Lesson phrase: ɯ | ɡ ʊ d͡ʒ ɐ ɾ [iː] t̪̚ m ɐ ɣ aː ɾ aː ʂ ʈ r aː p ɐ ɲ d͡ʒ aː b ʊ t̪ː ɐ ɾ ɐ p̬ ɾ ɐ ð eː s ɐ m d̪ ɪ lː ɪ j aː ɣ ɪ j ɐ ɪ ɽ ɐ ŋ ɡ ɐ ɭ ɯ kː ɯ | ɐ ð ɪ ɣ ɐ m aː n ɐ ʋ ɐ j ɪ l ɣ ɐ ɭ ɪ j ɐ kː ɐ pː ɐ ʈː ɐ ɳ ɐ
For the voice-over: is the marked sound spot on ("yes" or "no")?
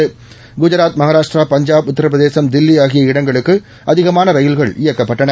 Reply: no